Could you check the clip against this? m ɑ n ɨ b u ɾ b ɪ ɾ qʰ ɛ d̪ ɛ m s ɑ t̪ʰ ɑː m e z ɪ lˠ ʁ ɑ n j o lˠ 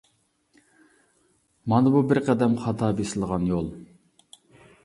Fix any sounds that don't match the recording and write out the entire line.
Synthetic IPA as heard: m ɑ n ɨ b u b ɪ ɾ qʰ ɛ d̪ ɛ m χ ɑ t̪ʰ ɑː b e s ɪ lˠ ʁ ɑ n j o lˠ